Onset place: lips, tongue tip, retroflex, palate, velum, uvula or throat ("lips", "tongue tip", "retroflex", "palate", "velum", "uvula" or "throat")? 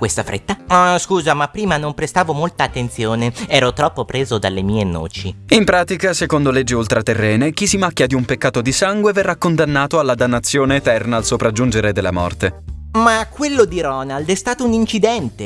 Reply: velum